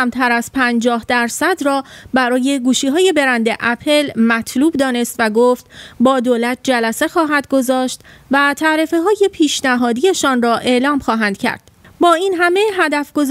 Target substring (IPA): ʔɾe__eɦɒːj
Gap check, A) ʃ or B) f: B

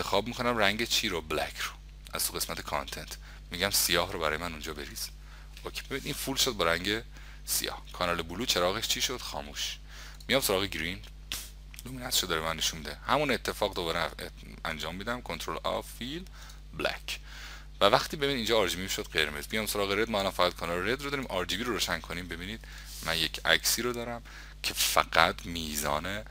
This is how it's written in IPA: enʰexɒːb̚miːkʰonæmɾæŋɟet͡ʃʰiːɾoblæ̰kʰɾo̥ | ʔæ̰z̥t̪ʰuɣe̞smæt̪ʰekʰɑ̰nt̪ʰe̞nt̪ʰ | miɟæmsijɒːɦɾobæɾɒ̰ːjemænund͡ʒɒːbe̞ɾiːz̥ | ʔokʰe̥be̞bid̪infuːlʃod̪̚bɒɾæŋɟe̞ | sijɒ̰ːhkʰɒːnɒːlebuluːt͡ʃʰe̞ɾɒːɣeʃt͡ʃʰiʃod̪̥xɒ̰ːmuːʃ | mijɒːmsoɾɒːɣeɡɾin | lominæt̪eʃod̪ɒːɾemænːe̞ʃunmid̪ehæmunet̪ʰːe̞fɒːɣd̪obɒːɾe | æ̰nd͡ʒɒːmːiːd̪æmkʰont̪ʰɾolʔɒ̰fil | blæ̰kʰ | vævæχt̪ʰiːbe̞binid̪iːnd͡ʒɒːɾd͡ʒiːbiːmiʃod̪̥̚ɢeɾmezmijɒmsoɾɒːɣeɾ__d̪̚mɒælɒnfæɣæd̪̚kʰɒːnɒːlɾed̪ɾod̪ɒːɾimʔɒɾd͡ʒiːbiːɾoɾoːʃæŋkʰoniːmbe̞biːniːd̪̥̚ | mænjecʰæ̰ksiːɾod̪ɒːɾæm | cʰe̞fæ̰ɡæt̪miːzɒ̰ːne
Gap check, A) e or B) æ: A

